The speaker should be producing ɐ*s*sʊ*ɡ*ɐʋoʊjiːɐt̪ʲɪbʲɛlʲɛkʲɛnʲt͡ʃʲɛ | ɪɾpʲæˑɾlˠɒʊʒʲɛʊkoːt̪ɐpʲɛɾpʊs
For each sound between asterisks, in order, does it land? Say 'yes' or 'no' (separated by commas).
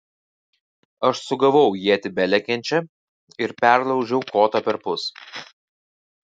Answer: no, yes